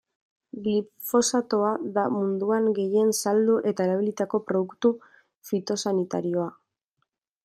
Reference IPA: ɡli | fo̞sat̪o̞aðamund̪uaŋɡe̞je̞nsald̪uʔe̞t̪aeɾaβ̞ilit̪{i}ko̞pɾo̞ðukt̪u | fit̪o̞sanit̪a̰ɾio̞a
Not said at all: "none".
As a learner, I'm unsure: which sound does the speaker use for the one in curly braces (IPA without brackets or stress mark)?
a